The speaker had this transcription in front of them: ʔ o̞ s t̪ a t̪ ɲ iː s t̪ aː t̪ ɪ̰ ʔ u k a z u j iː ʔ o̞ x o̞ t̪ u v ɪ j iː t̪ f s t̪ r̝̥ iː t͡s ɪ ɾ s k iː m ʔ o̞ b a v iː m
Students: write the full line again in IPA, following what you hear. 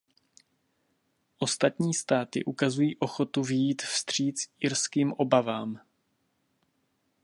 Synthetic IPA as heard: ʔ o̞ s t̪ a t̪ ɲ iː s t̪ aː t̪ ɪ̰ ʔ u k a z u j iː ʔ o̞ x o̞ t̪ u v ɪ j iː t̪ f s t̪ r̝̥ iː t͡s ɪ ɾ s k iː m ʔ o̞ b a v aː m